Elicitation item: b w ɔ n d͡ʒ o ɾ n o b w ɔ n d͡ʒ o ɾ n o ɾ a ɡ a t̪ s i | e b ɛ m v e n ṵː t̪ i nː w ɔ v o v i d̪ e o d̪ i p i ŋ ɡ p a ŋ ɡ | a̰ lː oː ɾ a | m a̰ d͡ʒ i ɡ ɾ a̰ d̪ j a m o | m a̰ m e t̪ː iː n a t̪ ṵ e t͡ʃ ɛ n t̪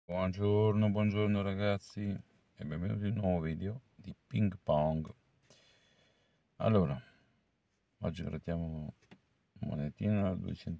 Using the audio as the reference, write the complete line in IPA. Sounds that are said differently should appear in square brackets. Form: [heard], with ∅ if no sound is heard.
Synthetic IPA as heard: b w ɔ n d͡ʒ o ɾ n o b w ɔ n d͡ʒ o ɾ n o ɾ a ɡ a t̪ s i | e b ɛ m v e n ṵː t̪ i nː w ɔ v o v i d̪ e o d̪ i p i ŋ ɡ p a ŋ ɡ | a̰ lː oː ɾ a | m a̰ d͡ʒ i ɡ ɾ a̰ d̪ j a m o | m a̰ [n] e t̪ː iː n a [d̪] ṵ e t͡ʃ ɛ n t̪